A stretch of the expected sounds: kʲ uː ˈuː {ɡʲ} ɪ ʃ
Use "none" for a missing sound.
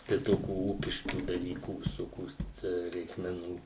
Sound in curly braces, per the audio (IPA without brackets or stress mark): kʲ